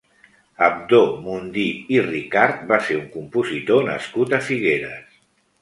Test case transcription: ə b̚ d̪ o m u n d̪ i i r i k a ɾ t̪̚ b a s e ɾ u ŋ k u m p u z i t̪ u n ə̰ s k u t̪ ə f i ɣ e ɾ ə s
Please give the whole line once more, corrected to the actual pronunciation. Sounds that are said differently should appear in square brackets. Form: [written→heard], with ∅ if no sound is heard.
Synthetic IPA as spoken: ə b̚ d̪ o m u n d̪ i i r i k a ɾ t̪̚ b a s e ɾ u ŋ k u m p u z i t̪ [u→o] n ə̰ s k u t̪ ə f i ɣ e ɾ ə s

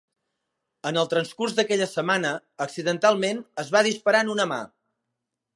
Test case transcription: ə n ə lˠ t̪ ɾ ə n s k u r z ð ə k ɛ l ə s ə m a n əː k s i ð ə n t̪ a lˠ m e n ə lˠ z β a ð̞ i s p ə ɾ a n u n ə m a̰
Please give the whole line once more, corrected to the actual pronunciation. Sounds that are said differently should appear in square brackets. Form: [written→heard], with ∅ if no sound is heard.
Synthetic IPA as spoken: ə n ə lˠ t̪ ɾ ə n s k u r z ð ə k ɛ [l→ʎ] ə s ə m a n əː k s i ð ə n t̪ a lˠ m e n ə [lˠ→∅] z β a ð̞ i s p ə ɾ a n u n ə m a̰

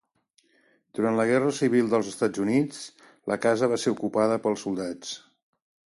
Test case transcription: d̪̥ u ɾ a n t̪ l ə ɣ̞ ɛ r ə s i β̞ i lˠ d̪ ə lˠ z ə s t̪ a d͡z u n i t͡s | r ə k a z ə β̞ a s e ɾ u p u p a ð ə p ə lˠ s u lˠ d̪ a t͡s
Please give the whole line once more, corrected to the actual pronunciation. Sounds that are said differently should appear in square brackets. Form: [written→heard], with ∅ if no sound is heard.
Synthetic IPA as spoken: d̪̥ u ɾ a n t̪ l ə ɣ̞ ɛ r ə s i β̞ i lˠ d̪ ə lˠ z ə s t̪ a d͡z u n i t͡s | [r→l] ə k a z ə β̞ a s e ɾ u [p→k] u p a ð ə p ə lˠ s u lˠ d̪ a t͡s

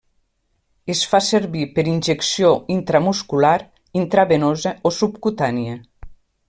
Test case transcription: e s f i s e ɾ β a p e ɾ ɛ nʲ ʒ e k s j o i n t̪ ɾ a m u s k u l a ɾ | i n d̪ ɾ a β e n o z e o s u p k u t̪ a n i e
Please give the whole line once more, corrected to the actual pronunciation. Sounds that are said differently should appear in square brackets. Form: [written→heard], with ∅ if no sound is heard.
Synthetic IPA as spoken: e s f [i→a] s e ɾ β [a→i] p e ɾ [ɛ→i] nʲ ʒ e k s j o i n t̪ ɾ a m u s k u l a ɾ | i n [d̪→t̪] ɾ a β e n o z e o s u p k u t̪ a n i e

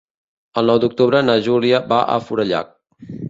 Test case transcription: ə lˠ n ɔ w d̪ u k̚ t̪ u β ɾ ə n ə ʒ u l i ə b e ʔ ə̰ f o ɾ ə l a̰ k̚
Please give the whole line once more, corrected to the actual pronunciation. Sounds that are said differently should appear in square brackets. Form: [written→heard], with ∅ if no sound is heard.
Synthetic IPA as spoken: ə lˠ n ɔ w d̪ u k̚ t̪ u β ɾ ə n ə ʒ u l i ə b [e→a] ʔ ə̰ f [o→u] ɾ ə [l→ʎ] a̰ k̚

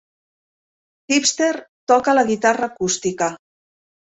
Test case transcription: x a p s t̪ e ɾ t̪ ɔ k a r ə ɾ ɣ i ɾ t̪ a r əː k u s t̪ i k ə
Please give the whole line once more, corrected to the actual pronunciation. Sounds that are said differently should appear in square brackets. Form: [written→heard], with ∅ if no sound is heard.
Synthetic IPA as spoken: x [a→i] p s t̪ e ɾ t̪ ɔ k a [r→l] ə [ɾ→∅] ɣ i [ɾ→∅] t̪ a r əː k u s t̪ i k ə

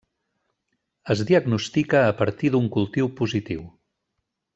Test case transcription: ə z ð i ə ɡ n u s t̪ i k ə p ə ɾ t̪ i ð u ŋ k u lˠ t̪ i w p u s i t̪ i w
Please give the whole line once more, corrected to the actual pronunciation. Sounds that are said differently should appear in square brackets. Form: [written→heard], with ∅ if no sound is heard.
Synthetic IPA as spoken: ə z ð i ə ɡ n u s t̪ i k [ə→əː] p ə ɾ t̪ i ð u ŋ k u lˠ t̪ i w p u [s→z] i t̪ i w

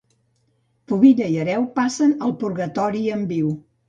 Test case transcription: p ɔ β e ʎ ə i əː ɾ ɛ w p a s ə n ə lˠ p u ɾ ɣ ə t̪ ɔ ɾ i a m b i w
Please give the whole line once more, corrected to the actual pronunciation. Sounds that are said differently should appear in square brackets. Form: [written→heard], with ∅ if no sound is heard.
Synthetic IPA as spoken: p [ɔ→u] β [e→i] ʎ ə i [əː→ə] ɾ ɛ w p a s ə n ə lˠ p u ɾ ɣ ə t̪ ɔ ɾ i [a→ə] m b i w

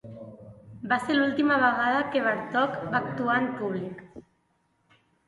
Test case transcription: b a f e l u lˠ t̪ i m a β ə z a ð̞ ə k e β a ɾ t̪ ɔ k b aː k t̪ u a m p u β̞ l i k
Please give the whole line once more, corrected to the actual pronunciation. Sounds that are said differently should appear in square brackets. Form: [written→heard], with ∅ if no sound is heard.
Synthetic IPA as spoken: b a [f→s] e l u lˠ t̪ i m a β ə [z→ɣ] a ð̞ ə k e β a ɾ t̪ ɔ k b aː k t̪ u a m p u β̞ l i k

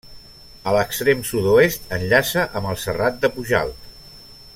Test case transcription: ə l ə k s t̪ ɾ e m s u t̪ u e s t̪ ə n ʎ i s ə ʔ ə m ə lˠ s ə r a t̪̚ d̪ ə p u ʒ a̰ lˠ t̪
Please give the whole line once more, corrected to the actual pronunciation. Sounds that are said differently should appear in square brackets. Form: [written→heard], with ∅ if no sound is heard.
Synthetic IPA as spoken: ə l ə k s t̪ ɾ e m s u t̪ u e s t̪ ə n ʎ [i→a] s ə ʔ ə m ə lˠ s ə r a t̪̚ d̪ ə p u ʒ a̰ lˠ t̪

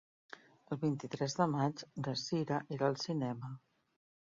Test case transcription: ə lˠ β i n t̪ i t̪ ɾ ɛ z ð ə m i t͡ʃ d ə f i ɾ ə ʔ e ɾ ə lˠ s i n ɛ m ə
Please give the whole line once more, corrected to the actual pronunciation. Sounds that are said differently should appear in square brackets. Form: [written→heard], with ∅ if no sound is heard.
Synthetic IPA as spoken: ə lˠ β i n t̪ i t̪ ɾ ɛ z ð ə m [i→a] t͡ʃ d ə [f→s] i ɾ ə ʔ e ɾ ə lˠ s i n ɛ m ə

